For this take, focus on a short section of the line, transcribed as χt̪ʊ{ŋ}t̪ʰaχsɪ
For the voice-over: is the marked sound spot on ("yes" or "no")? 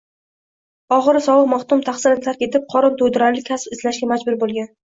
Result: no